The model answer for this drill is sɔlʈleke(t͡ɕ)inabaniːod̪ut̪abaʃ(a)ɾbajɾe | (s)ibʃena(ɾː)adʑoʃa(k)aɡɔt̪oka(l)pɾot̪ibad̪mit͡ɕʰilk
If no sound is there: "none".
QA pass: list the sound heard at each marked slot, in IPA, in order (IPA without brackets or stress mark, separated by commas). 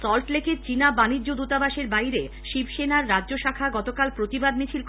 t͡ɕ, e, ʃ, ɾː, kʰ, l